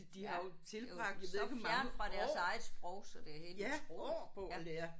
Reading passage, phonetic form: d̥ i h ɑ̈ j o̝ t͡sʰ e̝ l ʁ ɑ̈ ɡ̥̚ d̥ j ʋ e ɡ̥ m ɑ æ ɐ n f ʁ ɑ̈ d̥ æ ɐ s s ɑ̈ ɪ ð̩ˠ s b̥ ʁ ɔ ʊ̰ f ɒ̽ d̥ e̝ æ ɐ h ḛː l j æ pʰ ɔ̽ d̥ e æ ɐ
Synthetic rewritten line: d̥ i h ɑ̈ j o̝ t͡sʰ e̝ l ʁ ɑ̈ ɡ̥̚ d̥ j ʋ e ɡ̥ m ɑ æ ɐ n f ʁ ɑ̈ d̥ æ ɐ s s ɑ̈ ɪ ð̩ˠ s b̥ ʁ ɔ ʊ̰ s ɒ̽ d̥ e̝ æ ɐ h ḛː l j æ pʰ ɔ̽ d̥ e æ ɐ